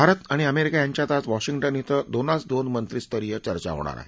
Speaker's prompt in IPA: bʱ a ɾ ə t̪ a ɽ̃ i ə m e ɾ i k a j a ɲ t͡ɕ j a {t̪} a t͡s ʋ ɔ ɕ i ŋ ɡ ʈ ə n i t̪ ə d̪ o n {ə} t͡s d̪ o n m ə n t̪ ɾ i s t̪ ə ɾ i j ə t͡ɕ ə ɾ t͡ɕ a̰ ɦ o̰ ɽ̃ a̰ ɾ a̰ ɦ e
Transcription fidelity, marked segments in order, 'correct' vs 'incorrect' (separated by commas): correct, incorrect